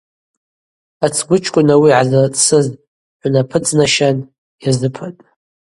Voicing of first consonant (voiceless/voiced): voiceless